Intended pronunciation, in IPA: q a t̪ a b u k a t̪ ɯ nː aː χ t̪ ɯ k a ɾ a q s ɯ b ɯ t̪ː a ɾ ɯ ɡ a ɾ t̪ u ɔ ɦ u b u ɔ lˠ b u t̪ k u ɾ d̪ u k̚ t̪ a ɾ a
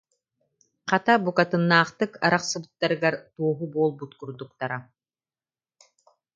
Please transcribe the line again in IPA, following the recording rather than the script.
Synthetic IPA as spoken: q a t̪ a b u k a t̪ ɯ nː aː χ t̪ ɯ k a ɾ a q s ɯ b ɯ t̪ː a ɾ ɯ ɡ a ɾ t̪ u ɔ ɦ u b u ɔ lˠ b u t̪ k u ɾ d̪ u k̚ t̪ a ɾ a